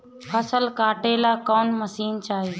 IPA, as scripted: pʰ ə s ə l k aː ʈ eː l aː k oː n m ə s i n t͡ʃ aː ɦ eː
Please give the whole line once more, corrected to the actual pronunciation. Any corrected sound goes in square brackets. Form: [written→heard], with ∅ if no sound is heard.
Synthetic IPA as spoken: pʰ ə s ə l k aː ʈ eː l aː k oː n m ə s [i→iː] n t͡ʃ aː ɦ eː